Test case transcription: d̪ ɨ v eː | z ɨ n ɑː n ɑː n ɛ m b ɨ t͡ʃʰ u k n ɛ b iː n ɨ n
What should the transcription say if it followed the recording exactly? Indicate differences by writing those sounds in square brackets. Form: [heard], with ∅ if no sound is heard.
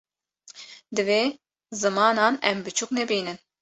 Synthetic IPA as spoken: d̪ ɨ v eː | z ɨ [m] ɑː n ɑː n ɛ m b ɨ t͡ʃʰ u k n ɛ b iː n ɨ n

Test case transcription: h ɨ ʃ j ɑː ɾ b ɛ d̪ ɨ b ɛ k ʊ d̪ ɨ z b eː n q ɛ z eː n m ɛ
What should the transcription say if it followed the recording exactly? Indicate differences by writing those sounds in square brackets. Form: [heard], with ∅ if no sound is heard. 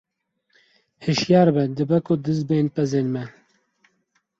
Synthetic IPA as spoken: h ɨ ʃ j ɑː ɾ b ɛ d̪ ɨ b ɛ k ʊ d̪ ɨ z b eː n [p] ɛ z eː n m ɛ

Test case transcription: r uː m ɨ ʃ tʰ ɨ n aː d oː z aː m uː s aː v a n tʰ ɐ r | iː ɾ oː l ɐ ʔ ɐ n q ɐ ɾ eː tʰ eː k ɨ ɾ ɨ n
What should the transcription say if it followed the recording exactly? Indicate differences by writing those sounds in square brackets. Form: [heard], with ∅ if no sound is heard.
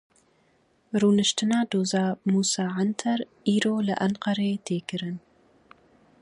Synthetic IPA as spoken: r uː [n] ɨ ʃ tʰ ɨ n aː d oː z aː m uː s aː [ʕ] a n tʰ ɐ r | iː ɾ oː l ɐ ʔ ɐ n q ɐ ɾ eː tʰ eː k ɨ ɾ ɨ n

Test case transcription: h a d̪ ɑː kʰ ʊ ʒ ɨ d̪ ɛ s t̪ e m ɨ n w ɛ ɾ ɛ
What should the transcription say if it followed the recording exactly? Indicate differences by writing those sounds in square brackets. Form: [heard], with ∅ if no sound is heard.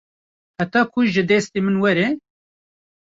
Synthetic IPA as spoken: h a [t̪] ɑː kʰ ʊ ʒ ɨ d̪ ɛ s t̪ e m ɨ n w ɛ ɾ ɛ

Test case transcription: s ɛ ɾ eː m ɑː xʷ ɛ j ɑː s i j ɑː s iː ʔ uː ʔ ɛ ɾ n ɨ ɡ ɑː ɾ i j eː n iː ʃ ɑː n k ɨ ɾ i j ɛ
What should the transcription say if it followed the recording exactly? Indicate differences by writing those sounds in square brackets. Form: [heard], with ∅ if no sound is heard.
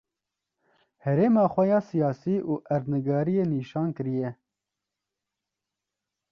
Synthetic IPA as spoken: [h] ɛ ɾ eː m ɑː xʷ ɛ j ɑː s i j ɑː s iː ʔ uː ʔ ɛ ɾ n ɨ ɡ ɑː ɾ i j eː n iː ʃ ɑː n k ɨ ɾ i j ɛ

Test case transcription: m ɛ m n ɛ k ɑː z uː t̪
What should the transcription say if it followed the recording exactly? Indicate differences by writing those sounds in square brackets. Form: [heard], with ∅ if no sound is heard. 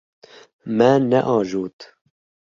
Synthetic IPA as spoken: m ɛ [∅] n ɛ [ʔ] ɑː [ʒ] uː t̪

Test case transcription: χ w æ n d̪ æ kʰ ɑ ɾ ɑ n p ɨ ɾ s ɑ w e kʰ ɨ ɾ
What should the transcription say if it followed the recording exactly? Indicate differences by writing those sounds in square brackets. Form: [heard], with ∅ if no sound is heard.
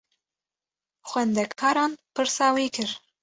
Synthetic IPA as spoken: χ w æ n d̪ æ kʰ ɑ ɾ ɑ n p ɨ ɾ s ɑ w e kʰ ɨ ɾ

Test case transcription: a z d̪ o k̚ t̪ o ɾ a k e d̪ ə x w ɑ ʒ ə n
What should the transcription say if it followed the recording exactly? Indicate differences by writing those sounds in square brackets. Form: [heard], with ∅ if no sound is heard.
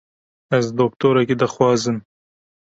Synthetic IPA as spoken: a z d̪ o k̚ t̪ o ɾ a k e d̪ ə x w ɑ [z] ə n

